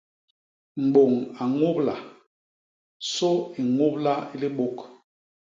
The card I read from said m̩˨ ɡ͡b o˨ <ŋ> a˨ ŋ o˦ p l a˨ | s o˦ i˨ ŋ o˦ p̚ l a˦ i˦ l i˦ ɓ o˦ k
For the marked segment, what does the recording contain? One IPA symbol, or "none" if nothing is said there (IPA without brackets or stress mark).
ŋ